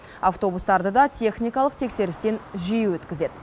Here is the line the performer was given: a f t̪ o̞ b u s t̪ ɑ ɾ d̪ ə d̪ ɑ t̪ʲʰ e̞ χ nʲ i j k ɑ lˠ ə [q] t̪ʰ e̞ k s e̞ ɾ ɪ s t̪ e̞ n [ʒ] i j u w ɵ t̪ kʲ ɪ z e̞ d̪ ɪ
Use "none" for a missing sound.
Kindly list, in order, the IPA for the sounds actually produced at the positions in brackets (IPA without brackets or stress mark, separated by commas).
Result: q, ʒ